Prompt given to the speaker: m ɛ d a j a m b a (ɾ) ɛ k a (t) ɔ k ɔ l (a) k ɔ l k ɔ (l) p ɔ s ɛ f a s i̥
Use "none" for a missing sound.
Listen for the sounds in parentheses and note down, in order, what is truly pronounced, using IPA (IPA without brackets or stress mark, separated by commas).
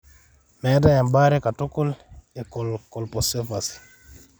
ɾ, t, ɛ, l